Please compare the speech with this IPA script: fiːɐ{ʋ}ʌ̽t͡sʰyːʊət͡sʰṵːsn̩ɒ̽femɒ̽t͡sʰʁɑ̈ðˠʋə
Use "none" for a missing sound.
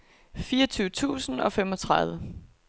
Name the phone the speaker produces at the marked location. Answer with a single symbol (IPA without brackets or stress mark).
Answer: none